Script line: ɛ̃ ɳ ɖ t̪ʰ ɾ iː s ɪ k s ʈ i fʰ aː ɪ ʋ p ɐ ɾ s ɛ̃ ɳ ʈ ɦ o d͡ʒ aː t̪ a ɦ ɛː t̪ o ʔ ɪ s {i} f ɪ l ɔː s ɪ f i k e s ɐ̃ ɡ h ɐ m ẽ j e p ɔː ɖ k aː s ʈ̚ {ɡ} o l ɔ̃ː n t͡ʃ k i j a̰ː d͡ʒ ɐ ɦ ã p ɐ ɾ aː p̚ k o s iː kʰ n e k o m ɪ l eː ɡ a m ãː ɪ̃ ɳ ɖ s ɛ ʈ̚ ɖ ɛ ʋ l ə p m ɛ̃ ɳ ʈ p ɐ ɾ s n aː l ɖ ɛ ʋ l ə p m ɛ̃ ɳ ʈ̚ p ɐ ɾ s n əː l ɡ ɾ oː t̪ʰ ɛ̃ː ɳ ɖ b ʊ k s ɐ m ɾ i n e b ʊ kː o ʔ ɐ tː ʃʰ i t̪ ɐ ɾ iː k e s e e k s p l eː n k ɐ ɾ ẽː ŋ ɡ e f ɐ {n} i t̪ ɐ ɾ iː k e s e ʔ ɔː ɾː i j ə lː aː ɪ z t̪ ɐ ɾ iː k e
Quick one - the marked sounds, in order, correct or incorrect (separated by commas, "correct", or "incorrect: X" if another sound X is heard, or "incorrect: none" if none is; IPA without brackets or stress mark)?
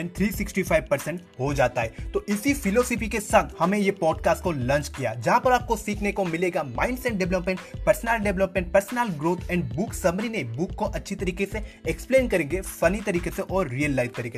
correct, incorrect: k, correct